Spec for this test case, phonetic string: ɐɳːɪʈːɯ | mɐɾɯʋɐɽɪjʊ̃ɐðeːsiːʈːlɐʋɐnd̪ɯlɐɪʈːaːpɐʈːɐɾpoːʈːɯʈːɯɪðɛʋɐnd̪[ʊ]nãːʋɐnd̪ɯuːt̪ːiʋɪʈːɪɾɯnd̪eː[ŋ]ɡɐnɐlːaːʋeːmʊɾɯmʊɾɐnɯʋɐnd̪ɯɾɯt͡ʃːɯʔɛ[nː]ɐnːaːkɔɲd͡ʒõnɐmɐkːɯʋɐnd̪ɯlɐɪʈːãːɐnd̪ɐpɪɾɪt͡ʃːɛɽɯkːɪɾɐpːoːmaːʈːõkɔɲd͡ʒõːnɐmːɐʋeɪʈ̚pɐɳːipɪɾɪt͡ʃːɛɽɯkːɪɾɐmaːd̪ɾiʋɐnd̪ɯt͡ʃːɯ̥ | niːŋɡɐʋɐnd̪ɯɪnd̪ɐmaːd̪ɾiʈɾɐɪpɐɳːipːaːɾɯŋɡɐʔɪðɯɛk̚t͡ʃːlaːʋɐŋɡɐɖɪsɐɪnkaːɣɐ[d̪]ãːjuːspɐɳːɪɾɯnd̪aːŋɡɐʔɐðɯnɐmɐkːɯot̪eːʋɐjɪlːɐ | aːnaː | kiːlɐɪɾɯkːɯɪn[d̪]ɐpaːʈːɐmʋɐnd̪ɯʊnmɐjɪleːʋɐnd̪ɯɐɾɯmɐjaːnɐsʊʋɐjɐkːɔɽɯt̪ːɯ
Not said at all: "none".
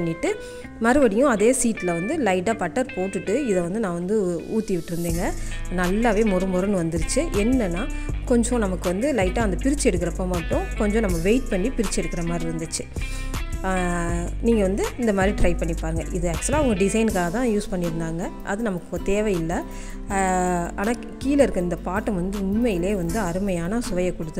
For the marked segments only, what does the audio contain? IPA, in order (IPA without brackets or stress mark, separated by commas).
ɯ, ŋ, nː, t̪, d̪